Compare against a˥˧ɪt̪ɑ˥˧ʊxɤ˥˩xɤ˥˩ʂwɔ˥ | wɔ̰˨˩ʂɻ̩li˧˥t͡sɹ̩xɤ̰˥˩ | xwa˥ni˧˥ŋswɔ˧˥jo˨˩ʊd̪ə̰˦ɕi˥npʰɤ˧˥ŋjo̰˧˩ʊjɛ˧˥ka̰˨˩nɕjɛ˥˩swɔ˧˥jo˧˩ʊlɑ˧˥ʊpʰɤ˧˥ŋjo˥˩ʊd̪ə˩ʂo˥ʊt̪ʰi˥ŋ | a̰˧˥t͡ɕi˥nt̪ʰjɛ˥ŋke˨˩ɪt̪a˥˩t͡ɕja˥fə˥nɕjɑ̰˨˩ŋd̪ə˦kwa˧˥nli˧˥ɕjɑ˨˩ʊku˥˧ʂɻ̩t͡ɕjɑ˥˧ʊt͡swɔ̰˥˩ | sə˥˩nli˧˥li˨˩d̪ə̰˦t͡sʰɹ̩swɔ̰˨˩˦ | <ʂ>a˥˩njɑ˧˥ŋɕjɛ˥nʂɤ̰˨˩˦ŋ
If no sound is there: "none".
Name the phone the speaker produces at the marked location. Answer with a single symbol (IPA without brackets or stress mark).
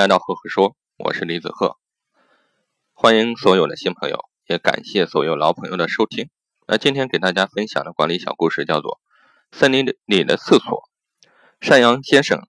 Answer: ʂ